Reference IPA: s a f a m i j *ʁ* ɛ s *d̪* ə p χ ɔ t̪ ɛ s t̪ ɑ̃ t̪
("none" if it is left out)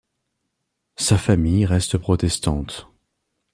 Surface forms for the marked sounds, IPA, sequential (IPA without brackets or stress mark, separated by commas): ʁ, t̪